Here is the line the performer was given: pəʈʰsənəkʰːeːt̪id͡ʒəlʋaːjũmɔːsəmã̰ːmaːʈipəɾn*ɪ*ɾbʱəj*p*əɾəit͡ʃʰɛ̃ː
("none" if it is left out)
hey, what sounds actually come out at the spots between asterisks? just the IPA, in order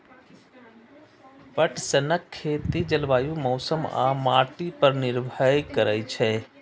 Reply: ɪ, k

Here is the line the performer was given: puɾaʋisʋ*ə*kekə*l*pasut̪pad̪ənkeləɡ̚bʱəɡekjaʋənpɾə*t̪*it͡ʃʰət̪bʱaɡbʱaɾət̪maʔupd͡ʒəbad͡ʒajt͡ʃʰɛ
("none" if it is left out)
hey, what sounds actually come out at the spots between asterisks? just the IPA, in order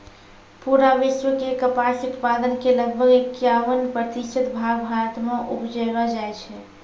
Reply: ə, none, t̪

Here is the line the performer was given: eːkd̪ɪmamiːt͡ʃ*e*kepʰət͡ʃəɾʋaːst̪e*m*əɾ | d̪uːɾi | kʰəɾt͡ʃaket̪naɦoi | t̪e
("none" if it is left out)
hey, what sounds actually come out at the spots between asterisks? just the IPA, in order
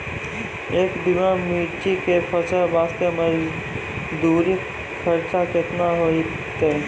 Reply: i, m

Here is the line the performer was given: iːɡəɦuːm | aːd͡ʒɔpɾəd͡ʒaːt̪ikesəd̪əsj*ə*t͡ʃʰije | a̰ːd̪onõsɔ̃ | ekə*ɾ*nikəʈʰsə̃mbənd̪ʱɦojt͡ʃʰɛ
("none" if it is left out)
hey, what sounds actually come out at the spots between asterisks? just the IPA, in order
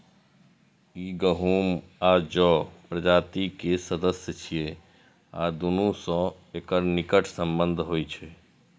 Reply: ə, ɾ

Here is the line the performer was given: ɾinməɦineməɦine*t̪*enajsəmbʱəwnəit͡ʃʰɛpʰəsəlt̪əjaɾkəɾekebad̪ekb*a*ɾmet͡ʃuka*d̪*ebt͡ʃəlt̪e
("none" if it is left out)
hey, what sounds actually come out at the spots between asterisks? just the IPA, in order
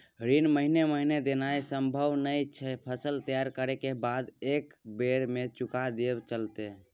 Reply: d̪, e, d̪

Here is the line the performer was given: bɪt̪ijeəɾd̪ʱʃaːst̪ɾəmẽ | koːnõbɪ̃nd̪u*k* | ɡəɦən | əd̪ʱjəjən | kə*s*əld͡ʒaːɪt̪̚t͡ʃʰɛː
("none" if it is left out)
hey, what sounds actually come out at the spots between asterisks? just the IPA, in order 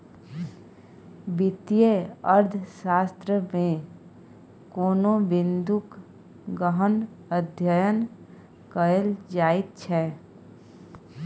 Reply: k, none

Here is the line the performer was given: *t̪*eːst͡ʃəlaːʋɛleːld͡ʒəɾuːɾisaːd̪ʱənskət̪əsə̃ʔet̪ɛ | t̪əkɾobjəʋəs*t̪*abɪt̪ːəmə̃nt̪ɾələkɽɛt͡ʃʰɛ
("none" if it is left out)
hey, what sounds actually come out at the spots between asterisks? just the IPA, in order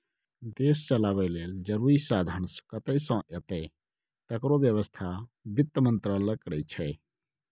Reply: d̪, t̪ʰ

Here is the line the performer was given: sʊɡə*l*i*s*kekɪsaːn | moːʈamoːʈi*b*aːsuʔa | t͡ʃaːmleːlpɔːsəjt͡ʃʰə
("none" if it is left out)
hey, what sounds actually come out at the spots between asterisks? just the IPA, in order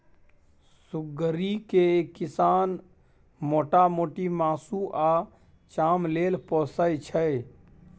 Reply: ɾ, none, m

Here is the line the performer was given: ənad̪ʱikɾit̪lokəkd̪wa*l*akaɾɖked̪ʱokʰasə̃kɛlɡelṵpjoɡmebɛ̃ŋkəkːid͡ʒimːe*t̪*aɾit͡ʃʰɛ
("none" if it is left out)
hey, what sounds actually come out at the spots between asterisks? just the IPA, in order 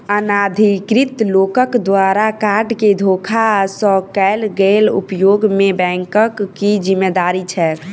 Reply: ɾ, d̪

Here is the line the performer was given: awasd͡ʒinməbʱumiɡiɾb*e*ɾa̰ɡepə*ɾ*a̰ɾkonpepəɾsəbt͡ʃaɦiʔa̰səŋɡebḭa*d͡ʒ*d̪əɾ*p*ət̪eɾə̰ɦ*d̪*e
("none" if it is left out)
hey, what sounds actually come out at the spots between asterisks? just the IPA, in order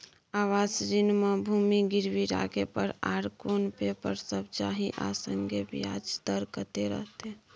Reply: i, ɾ, d͡ʒ, k, t̪

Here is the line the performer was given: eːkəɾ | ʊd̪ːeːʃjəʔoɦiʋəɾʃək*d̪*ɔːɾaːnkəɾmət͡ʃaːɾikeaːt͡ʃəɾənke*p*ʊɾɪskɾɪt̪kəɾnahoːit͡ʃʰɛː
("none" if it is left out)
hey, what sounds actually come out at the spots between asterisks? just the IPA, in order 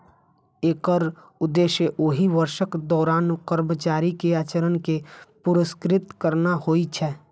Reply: d̪, p

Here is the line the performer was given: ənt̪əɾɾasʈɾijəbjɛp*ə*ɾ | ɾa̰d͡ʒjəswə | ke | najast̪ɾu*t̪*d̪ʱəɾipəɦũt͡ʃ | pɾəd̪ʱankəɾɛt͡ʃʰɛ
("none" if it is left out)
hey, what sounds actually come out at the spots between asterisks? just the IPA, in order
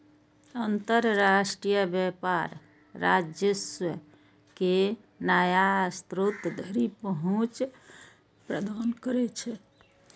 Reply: a, t̪

